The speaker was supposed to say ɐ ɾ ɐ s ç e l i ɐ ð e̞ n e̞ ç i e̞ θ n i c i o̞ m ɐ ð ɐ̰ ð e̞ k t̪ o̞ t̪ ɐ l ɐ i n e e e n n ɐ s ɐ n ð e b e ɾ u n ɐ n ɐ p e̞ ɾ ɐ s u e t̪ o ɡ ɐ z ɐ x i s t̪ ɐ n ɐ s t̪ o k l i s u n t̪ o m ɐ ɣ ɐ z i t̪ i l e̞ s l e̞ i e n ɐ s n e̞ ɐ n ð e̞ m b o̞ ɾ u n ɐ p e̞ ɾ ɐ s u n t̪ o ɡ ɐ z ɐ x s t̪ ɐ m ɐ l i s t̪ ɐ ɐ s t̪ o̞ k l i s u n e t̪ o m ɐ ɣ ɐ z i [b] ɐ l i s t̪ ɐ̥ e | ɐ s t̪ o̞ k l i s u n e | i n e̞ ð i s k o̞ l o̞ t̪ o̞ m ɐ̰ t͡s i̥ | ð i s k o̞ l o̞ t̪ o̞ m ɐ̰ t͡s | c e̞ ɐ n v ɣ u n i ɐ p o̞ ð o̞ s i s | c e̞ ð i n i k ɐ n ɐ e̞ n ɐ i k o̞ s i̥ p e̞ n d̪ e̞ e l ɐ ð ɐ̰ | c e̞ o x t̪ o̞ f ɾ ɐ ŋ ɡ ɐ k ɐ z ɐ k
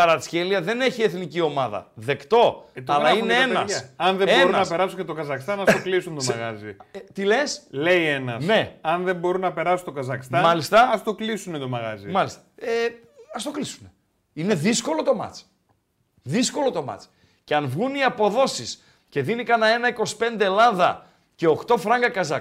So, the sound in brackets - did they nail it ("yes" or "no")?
no